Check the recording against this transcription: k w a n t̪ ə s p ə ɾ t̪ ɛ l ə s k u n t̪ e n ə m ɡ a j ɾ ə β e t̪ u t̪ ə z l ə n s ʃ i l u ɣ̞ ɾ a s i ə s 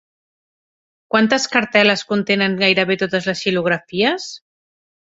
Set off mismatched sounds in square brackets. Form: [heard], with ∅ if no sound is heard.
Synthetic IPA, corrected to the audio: k w a n t̪ ə s [k] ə ɾ t̪ ɛ l ə s k u n t̪ e n ə [ŋ] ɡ a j ɾ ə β e t̪ [o] t̪ ə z l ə [∅] s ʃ i l u ɣ̞ ɾ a [f] i ə s